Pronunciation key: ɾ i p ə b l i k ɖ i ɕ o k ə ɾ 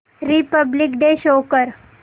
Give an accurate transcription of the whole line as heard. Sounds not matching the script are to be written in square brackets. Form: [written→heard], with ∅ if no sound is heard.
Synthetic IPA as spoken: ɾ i p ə b l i k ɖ [i→e] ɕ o k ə ɾ

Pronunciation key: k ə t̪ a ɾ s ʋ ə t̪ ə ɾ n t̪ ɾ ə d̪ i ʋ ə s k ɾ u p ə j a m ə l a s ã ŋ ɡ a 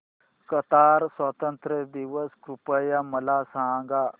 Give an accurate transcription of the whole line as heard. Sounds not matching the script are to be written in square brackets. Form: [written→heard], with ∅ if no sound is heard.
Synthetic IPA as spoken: k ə t̪ a ɾ s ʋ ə t̪ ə [ɾ→∅] n t̪ ɾ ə d̪ i ʋ ə s k ɾ u p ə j a m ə l a s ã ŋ ɡ a

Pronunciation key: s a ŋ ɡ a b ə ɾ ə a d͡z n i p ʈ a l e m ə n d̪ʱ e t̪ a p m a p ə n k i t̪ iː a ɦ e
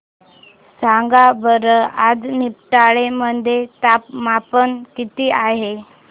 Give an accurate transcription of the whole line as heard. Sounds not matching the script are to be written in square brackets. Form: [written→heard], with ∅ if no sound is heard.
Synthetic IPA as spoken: s a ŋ ɡ a b ə ɾ ə a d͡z n i p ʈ a [l→ɭ] e m ə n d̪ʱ e t̪ a p m a p ə n k i t̪ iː a ɦ e

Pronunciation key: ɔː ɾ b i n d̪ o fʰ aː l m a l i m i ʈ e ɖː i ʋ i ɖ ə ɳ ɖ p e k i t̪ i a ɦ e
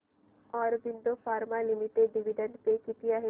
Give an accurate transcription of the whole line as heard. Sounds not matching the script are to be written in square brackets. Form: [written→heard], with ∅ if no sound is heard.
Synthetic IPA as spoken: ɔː ɾ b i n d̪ o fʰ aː [l→ɾ] m a l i m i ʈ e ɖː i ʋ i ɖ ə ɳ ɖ p e k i t̪ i a ɦ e

